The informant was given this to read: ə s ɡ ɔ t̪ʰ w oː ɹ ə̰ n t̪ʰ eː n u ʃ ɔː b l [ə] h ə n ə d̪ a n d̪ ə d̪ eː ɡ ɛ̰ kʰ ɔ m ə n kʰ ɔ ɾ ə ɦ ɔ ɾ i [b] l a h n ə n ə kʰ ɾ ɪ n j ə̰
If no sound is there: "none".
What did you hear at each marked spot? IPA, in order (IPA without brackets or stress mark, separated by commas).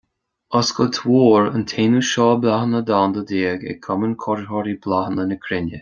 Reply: a, b